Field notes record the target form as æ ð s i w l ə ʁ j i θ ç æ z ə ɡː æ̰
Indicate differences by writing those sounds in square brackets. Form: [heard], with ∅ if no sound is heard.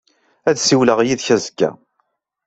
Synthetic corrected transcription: æ ð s i w l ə ʁ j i [ð] ç æ z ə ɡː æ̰